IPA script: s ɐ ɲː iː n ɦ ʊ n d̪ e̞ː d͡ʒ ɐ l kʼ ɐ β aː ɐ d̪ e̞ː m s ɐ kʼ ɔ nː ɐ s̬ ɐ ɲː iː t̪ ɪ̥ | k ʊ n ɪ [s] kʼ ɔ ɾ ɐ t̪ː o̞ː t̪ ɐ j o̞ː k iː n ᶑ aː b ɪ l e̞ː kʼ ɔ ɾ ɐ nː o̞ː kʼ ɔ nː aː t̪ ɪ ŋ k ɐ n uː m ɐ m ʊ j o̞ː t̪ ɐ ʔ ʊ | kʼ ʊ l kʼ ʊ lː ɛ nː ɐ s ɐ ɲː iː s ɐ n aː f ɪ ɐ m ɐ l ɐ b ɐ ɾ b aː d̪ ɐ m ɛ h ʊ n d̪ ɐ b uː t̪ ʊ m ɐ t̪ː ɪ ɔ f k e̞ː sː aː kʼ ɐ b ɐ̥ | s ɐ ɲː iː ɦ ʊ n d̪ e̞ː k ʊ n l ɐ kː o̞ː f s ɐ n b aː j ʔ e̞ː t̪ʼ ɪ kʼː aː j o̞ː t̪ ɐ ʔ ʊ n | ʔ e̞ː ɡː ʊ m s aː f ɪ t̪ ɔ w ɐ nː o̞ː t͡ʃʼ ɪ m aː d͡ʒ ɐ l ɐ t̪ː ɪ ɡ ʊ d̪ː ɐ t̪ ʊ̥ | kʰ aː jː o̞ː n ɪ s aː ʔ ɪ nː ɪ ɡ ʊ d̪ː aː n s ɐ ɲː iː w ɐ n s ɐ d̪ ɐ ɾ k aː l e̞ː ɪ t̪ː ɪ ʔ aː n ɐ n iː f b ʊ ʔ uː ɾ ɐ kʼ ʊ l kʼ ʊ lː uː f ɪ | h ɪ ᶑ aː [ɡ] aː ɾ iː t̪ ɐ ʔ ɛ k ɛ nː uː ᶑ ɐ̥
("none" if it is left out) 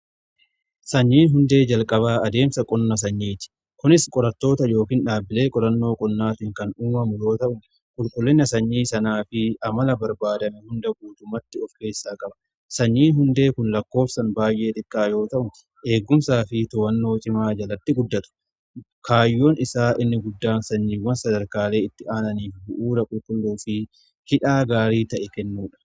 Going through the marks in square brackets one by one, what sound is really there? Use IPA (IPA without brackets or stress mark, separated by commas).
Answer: s, ɡ